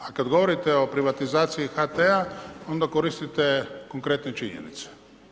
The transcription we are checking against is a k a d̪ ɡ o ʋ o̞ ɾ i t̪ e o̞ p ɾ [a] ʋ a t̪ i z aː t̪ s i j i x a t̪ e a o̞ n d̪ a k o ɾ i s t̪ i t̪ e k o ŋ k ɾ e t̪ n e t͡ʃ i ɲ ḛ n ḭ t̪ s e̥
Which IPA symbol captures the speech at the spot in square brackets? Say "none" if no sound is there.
i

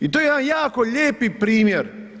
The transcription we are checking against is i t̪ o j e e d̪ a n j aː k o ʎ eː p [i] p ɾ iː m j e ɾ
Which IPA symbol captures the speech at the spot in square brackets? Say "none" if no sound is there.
i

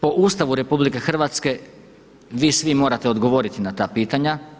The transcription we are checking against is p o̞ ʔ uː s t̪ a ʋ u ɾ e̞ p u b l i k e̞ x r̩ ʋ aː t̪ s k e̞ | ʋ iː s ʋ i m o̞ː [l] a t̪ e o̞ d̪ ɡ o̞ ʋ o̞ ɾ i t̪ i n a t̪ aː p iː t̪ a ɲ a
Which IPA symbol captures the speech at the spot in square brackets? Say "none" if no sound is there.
ɾ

